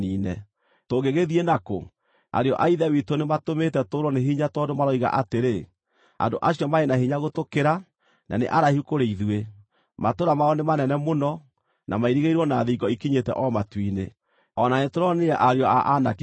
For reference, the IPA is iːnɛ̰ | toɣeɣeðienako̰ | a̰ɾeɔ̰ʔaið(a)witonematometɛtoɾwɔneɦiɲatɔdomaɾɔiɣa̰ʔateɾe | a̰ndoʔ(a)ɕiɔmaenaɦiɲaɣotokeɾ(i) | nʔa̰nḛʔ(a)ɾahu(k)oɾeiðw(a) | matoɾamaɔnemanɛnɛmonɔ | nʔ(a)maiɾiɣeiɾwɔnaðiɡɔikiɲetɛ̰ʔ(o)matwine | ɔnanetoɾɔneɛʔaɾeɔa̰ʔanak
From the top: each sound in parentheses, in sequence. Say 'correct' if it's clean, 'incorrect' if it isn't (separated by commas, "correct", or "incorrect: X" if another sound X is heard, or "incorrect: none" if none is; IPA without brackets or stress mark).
incorrect: ɛ, correct, incorrect: a, correct, correct, incorrect: e, correct, incorrect: ɔ